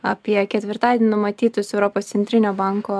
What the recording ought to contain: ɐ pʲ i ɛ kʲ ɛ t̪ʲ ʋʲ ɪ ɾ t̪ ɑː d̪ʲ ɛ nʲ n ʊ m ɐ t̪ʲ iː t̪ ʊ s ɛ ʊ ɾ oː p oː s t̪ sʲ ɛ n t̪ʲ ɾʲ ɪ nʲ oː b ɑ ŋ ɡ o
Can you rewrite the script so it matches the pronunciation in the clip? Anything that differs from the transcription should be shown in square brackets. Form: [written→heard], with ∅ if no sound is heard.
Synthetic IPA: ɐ pʲ i ɛ kʲ ɛ t̪ʲ ʋʲ ɪ ɾ t̪ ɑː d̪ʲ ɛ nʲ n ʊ m ɐ t̪ʲ iː t̪ ʊ s ɛ ʊ ɾ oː p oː s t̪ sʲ ɛ n t̪ʲ ɾʲ ɪ nʲ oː b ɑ ŋ [ɡ→k] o